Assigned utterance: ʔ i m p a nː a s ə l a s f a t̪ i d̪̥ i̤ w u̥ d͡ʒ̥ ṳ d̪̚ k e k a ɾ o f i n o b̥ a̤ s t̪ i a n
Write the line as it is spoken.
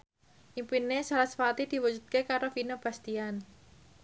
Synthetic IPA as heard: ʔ i m p i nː e s a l a s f a t̪ i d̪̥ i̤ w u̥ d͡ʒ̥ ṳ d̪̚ k e k a ɾ o f i n o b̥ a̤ s t̪ i a n